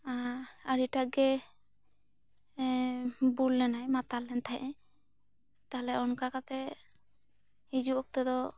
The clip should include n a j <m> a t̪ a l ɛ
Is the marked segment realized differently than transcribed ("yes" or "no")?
no